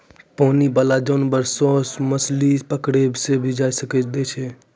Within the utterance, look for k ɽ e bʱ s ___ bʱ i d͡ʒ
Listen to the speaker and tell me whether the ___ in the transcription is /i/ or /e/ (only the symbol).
e